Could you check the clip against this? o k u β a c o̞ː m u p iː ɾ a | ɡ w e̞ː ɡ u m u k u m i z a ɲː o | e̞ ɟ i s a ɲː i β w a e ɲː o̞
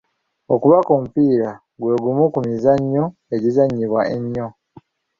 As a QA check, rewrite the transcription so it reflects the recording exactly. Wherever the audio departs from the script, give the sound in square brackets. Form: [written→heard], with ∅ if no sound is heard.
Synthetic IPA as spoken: o k u β a [c→k] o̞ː m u p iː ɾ a | ɡ w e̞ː ɡ u m u k u m i z a ɲː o | e̞ ɟ i [s→z] a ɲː i β w a e ɲː o̞

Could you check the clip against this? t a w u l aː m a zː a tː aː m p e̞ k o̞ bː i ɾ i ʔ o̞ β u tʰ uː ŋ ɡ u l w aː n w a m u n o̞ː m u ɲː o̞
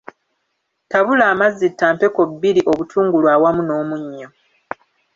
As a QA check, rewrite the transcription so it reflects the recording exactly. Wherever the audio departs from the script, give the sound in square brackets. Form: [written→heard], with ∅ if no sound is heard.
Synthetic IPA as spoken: t a [w→β] u l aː m a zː [a→i] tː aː m p e̞ k o̞ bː i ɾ i ʔ o̞ β u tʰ uː ŋ ɡ u l w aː [n→∅] w a m u n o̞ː m u ɲː o̞

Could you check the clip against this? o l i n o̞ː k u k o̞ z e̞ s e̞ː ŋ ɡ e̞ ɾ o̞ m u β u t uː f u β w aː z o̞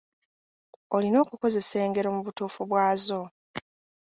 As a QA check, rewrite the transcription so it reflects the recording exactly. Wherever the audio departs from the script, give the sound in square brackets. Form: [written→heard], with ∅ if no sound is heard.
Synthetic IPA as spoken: o l i n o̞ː k u k o̞ z e̞ s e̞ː ŋ ɡ e̞ ɾ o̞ m u β u t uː f u β w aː z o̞

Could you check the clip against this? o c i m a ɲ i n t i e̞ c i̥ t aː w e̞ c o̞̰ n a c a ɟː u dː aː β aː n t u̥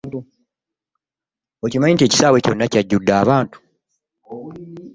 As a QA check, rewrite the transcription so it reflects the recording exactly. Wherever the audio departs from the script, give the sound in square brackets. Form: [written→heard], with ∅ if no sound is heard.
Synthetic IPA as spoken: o c i m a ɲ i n t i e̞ c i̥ [t→s] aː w e̞ c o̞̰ [n→nː] a c a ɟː u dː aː β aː n t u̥

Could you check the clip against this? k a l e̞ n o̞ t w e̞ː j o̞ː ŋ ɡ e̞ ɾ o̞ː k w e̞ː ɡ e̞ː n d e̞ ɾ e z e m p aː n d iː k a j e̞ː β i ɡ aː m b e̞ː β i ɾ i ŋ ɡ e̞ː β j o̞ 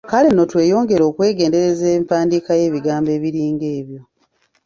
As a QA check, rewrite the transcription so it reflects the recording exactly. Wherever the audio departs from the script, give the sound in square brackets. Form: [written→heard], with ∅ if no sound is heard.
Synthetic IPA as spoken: k a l e̞ n o̞ t w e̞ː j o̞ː ŋ ɡ e̞ ɾ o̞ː k w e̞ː ɡ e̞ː n d e̞ ɾ e z e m p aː n d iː k a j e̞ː β i ɡ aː m b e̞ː β i ɾ [i→iː] ŋ ɡ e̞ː β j o̞

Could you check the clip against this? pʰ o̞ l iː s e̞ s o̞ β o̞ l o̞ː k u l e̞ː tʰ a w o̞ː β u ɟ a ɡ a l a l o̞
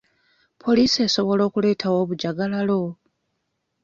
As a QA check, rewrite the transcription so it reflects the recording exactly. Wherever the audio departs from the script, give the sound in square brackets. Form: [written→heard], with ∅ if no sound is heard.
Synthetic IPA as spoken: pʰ o̞ l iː s e̞ s o̞ β o̞ l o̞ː k u l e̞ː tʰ a w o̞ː β u ɟ a ɡ a l a l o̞

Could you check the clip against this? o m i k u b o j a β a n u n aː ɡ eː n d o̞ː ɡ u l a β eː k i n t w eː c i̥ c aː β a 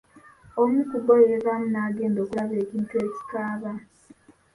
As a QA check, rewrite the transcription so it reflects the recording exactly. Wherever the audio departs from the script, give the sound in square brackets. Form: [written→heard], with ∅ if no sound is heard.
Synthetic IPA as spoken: o m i k u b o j [a→e] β a [n→m] u n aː ɡ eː n d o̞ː [ɡ→k] u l a β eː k i n t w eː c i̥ [c→k] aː β a

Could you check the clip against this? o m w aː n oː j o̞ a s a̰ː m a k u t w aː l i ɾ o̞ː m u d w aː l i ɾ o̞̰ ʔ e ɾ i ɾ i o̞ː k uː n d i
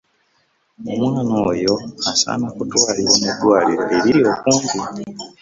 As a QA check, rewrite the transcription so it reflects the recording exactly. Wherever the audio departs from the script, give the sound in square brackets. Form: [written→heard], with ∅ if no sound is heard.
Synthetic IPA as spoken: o m w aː n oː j o̞ a s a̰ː [m→n] a k u t w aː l i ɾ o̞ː m u d w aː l i ɾ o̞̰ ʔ e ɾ i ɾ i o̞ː k uː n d i

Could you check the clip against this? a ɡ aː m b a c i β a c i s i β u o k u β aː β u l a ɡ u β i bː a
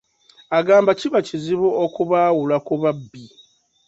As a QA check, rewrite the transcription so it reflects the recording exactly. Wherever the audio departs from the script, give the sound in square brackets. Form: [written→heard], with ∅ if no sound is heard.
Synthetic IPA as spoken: a ɡ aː m b a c i β a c i [s→z] i β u o k u β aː [β→w] u l a [ɡ→k] u β [i→a] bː [a→i]

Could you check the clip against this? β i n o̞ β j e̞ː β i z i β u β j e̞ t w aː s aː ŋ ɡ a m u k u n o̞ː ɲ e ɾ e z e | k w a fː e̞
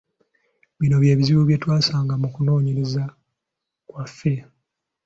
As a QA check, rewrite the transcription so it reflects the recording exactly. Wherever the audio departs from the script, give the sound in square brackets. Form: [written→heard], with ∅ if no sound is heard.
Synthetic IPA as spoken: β i n o̞ β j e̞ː β i z i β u β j e̞ t w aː s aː ŋ ɡ a m u k u n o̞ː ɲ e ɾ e z [e→a] | k w a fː e̞

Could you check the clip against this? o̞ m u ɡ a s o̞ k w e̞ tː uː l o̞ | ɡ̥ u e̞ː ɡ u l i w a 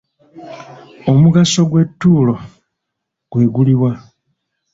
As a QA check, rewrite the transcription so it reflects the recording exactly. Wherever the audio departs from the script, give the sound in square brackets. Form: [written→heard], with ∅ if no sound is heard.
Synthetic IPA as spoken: o̞ m u ɡ a s o̞ [k→ɡ] w e̞ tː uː l o̞ | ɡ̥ [u→w] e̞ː ɡ u l i w a

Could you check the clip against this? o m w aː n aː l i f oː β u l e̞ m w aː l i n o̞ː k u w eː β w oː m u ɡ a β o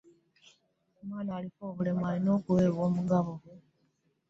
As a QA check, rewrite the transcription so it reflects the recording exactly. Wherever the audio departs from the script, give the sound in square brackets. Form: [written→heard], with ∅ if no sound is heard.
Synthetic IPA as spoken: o m w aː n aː l i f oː β u l e̞ m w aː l i n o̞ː k u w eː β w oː m u ɡ a β o

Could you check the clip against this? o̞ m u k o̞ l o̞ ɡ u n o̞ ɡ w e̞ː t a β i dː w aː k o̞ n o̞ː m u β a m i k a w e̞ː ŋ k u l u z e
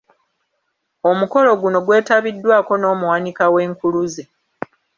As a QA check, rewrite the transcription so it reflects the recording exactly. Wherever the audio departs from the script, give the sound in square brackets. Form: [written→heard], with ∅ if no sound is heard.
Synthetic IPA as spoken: o̞ m u k o̞ l o̞ ɡ u n o̞ ɡ w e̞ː t a β i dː w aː k o̞ n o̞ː m u [β→w] a [m→n] i k a w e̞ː ŋ k u l u z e

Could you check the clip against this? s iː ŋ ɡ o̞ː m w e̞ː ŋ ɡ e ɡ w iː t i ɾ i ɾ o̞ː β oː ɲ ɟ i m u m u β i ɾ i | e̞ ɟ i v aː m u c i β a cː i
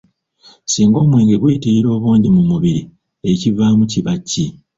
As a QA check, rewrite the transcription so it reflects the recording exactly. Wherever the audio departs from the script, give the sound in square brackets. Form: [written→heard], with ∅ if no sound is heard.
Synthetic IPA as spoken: s iː ŋ ɡ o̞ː m w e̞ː ŋ ɡ e ɡ w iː t i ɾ i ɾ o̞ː β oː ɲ ɟ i m u m u β i ɾ i | e̞ [ɟ→c] i v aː m u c i β a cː i

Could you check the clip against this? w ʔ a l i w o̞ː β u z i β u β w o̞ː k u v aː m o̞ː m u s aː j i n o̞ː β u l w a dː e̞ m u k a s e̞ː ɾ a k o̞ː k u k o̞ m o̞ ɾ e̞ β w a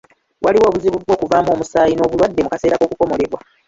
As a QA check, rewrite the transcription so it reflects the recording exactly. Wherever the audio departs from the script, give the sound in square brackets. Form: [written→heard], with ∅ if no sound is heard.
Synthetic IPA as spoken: w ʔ a l i w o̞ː β u z i β u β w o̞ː k u v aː m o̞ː m u s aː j i n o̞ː β u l w a dː e̞ m u k a s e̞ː ɾ a k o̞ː k u k o̞ m o̞ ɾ e̞ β w a

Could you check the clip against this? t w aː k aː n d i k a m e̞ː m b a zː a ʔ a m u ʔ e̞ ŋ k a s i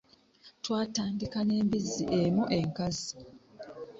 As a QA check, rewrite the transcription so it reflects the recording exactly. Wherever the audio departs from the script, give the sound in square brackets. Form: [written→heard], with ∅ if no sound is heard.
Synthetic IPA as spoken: t w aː [k→t] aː n d i k a [m→n] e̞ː m b [a→i] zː [a→i] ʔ [a→e] m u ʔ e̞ ŋ k a [s→z] i

